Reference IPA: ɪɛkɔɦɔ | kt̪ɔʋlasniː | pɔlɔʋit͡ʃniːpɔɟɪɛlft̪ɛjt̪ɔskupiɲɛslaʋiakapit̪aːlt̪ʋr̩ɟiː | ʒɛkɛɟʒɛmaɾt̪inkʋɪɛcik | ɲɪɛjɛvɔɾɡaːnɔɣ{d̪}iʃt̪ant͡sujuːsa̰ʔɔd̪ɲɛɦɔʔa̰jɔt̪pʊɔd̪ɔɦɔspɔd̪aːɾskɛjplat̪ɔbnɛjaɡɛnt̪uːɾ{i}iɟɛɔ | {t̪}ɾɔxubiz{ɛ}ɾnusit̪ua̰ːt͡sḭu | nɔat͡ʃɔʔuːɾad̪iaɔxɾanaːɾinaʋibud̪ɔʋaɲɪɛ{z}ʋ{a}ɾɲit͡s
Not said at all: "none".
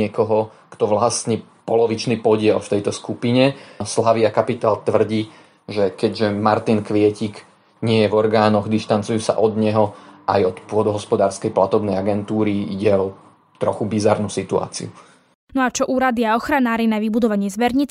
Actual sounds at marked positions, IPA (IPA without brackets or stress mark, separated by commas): d̪, i, t̪, a, z, ɛ